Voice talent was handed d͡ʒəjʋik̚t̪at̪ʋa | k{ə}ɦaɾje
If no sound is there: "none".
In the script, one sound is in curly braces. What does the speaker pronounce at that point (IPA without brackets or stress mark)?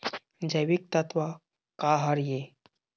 a